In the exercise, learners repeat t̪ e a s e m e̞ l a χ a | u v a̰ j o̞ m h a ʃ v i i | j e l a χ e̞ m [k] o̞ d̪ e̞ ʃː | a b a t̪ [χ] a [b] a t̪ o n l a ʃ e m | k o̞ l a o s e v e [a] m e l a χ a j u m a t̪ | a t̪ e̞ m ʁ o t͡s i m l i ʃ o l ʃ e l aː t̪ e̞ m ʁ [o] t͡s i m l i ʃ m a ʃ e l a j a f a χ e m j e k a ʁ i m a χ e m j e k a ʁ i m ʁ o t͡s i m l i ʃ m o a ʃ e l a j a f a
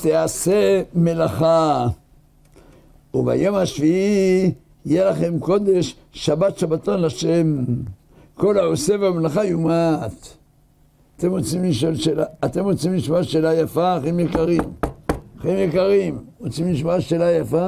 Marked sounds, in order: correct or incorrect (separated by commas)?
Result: correct, incorrect, correct, correct, correct